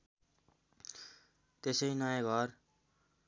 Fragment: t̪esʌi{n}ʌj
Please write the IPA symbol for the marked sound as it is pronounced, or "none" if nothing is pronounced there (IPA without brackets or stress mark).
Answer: n